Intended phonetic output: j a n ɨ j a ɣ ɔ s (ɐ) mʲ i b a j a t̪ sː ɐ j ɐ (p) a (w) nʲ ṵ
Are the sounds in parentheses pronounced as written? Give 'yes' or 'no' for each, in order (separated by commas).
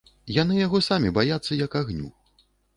no, no, no